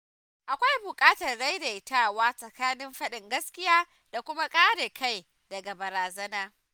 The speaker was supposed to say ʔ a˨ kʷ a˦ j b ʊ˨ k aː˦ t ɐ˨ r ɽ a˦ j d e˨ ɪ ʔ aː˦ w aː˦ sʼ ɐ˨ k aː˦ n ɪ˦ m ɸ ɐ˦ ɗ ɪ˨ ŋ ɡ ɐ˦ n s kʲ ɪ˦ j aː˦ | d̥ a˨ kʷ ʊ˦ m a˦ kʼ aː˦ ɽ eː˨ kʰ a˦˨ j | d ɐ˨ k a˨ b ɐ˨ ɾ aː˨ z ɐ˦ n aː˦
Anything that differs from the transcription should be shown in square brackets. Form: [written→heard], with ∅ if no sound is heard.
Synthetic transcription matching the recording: ʔ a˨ kʷ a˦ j b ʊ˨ [k→kʼ] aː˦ t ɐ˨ r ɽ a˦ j d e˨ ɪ [ʔ→t] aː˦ w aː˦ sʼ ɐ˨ k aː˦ n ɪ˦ m ɸ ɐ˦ ɗ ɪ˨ ŋ ɡ ɐ˦ [n→∅] s kʲ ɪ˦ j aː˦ | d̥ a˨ kʷ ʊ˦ m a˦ kʼ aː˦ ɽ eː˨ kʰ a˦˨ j | d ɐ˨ [k→ɡ] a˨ b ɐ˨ ɾ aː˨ z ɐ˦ n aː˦